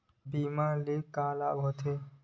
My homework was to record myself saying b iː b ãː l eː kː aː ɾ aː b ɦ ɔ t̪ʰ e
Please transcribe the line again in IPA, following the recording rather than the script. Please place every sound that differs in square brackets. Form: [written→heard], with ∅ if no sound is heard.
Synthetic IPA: b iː [b→m] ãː l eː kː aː [ɾ→l] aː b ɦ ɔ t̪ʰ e